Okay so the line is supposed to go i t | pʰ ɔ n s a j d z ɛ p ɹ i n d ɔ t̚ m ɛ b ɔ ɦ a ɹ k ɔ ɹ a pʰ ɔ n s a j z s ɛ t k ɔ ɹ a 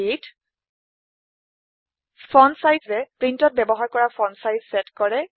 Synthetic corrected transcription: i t | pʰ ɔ n s a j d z ɛ p ɹ i n t ɔ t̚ b ɛ b ɔ ɦ a ɹ k ɔ ɹ a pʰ ɔ n s a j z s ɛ t k ɔ ɹ ɛ